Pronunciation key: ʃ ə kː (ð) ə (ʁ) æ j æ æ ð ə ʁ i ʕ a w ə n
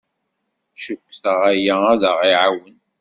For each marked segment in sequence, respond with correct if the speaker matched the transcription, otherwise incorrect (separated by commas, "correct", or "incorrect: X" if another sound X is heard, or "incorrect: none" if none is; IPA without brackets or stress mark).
incorrect: θ, correct